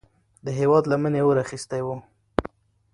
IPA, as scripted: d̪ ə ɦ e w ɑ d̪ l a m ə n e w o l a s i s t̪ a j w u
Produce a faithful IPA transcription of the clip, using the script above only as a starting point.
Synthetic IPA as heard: d̪ ə ɦ e w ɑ d̪ l a m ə n e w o ɾ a x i s t̪ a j w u

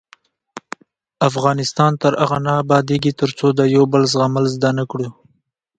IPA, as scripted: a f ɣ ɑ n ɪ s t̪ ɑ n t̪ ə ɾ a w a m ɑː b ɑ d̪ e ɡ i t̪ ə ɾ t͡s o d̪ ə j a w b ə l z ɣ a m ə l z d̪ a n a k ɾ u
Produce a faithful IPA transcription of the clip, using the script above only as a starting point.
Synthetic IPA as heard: a f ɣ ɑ n ɪ s t̪ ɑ n t̪ ə ɾ a ɣ a n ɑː b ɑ d̪ e ɡ i t̪ ə ɾ t͡s o d̪ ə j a w b ə l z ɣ a m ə l z d̪ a n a k ɽ u

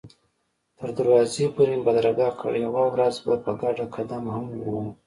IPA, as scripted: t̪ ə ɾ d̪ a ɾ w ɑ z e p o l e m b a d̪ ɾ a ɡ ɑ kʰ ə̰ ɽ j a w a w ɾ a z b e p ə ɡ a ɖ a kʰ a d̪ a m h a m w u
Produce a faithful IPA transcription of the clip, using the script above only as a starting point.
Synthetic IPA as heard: t̪ ə ɾ d̪ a ɾ w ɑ z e p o ɾ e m b a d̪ ɾ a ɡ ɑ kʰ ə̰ ɽ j a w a w ɾ a z b a p ə ɡ a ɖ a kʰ a d̪ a m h a m w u

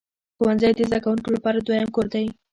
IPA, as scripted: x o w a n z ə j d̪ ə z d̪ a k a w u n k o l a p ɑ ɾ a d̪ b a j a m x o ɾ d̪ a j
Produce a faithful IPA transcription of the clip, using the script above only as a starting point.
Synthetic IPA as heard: x o w a n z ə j d̪ ə z d̪ a k a w u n k o l a p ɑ ɾ a d̪ w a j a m k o ɾ d̪ a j

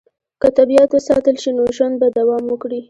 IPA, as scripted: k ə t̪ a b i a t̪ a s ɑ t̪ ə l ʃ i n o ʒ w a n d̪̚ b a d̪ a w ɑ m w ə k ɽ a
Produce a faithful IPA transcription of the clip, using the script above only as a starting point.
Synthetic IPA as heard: k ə t̪ a b i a t̪ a s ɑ t̪ ə l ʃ i n o ʒ w a n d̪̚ b a d̪ a w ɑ m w ə k ɽ i

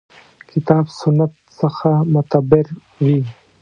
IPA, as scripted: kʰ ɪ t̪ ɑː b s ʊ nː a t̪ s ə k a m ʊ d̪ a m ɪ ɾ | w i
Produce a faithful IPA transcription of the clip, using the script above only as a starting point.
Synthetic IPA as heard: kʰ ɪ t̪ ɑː b s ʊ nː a t̪ s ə x a m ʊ t̪ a b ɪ ɾ | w i

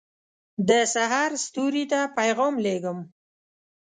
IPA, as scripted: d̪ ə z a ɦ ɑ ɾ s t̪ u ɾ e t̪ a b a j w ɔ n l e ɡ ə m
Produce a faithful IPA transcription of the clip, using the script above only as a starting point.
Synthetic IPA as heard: d̪ ə s a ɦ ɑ ɾ s t̪ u ɾ i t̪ a p a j ɣ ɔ m l e ɡ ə m

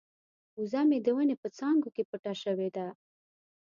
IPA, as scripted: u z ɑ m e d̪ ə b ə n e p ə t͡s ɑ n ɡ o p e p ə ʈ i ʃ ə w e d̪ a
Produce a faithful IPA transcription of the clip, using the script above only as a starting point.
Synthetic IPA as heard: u z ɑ m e d̪ ə w ə n e p ə t͡s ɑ ŋ ɡ o k e p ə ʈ a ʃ ə w e d̪ a

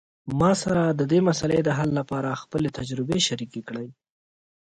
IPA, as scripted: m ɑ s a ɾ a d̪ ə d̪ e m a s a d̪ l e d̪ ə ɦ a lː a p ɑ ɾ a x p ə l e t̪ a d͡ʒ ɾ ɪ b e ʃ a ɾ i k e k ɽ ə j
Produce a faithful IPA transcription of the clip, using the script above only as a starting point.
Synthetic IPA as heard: m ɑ s a ɾ a d̪ ə d̪ e m a s a l e d̪ ə ɦ a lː a p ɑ ɾ a x p ə l e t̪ a d͡ʒ ɾ ɪ b e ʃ a ɾ i k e k ɽ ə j

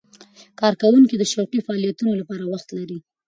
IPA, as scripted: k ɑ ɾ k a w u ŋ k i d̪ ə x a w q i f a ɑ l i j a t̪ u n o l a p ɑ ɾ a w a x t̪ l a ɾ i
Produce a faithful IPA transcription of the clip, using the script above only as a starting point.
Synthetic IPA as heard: k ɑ ɾ k a w u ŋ k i d̪ ə ʃ a w q i f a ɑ l i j a t̪ u n o l a p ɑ ɾ a w a x t̪ l a ɾ i

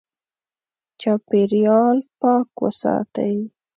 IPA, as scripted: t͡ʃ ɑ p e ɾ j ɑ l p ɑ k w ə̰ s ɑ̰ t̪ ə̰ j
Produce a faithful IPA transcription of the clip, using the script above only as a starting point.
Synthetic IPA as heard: t͡ʃ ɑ p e ɾ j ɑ l p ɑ k w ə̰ s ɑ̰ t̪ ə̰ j

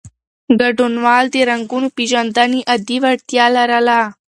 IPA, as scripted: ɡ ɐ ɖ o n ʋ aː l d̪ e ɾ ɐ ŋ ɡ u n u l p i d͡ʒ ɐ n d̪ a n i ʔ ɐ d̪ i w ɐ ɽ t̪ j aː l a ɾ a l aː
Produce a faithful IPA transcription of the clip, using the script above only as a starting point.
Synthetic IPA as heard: ɡ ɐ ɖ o n ʋ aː l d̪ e ɾ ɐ ŋ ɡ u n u p i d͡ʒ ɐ n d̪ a n i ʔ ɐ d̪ i ʋ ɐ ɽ t̪ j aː l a ɾ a l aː

